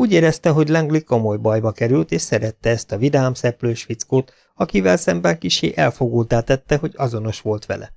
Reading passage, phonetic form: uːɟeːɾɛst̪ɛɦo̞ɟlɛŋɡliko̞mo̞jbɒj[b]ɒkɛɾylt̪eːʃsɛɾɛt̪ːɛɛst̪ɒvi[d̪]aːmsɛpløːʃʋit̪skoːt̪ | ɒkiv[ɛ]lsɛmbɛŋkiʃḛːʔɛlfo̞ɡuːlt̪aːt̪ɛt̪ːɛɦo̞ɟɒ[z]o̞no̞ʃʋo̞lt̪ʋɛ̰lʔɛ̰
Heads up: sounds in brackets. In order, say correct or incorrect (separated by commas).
correct, correct, correct, correct